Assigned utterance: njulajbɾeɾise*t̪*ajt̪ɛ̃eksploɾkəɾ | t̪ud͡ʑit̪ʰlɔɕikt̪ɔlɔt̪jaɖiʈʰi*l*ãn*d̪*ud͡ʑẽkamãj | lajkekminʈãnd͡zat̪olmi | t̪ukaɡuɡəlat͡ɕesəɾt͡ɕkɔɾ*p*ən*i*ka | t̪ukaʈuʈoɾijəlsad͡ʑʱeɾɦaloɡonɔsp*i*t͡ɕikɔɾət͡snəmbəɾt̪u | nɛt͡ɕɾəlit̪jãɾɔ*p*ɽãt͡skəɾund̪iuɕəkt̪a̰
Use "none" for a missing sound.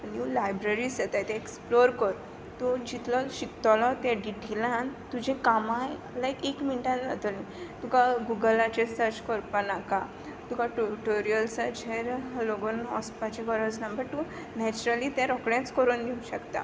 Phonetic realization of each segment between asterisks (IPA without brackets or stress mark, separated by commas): t̪, l, t̪, p, a, a, k